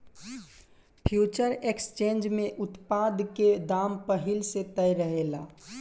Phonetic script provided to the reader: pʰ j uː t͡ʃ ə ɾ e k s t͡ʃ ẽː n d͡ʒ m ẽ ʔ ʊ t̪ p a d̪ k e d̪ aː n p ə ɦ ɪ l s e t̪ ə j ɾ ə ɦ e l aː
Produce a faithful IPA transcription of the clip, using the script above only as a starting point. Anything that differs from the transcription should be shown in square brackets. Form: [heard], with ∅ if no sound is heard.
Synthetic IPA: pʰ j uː t͡ʃ ə ɾ e k s t͡ʃ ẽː n d͡ʒ m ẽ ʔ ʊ t̪ p a d̪ k e d̪ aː [m] p ə ɦ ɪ l s e t̪ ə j ɾ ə ɦ e l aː